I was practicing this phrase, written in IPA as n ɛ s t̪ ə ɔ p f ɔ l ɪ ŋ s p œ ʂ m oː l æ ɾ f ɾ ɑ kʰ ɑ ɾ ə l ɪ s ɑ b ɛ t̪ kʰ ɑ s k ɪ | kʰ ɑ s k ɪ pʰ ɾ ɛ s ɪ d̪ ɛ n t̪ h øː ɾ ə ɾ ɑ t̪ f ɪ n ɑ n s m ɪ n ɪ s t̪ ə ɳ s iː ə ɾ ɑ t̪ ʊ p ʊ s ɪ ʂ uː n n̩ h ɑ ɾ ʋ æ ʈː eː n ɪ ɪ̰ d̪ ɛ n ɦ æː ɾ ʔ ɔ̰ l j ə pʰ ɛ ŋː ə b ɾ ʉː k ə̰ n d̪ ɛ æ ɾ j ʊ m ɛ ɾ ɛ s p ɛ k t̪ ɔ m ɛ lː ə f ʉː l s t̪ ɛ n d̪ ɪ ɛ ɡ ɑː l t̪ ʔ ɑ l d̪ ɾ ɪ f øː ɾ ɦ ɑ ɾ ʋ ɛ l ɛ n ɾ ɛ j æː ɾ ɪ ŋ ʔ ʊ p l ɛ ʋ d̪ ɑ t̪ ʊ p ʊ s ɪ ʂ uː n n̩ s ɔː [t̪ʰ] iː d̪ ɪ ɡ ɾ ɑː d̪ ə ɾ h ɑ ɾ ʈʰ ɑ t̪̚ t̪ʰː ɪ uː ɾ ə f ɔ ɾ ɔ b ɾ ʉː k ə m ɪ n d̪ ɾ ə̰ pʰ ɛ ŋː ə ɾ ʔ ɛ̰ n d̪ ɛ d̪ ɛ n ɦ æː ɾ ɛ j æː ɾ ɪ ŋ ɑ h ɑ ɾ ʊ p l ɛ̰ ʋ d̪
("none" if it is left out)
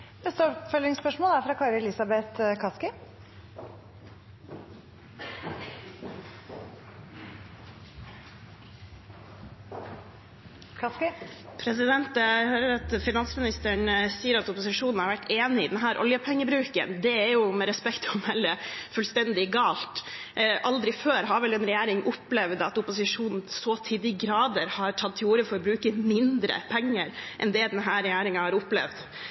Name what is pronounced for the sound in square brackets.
t̪ʰ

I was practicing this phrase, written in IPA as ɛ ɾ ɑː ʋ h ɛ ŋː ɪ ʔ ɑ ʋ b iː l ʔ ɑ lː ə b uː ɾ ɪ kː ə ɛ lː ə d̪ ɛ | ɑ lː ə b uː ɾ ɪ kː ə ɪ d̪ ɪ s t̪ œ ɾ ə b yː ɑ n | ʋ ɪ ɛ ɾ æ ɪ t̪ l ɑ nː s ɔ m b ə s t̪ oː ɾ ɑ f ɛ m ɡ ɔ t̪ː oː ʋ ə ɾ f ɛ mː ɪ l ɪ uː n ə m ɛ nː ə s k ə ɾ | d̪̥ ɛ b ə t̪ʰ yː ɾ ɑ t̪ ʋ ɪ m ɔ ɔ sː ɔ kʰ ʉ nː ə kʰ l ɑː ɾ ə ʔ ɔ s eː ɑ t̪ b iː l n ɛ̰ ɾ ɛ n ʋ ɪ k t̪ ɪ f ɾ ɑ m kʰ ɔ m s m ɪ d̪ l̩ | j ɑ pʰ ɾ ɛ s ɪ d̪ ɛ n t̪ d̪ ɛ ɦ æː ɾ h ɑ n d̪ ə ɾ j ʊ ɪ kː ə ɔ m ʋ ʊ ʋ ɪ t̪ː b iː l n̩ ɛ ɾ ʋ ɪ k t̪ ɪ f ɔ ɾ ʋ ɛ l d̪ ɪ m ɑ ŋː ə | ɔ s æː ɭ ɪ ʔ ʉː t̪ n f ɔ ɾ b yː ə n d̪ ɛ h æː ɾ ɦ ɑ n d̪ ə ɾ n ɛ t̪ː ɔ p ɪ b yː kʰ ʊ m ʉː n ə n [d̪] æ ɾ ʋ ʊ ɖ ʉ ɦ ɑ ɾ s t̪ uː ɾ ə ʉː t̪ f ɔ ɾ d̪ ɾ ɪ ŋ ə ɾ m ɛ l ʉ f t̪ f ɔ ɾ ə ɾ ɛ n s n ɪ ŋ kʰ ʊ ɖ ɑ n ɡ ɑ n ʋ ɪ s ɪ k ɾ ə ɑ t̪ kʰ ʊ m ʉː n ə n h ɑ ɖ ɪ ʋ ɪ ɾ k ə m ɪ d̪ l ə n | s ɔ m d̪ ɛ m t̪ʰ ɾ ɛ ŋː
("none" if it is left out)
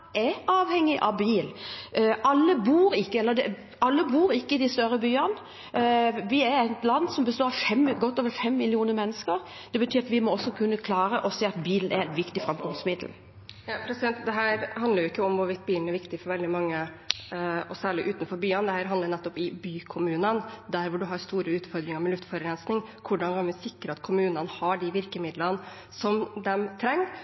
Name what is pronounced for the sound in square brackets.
d̪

